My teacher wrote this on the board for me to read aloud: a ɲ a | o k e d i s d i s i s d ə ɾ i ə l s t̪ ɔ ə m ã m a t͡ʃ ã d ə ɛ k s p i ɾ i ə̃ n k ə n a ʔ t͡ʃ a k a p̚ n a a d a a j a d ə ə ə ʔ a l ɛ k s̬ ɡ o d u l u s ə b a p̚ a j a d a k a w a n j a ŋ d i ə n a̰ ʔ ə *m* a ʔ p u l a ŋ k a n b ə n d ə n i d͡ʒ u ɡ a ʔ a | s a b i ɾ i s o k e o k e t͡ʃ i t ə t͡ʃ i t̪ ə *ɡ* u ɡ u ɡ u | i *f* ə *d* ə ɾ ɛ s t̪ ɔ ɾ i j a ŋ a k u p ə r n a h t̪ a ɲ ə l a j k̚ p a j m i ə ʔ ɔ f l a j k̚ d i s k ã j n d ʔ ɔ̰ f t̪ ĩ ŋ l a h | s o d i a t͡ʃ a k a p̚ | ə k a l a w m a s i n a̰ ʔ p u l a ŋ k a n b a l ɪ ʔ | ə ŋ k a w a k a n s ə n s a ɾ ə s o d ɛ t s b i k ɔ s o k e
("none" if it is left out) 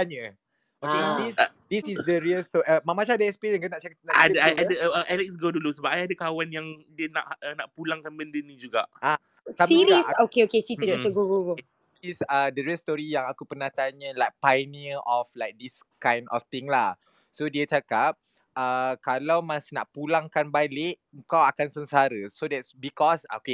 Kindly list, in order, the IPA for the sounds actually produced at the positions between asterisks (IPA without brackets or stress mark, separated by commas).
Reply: n, ɡ, s, d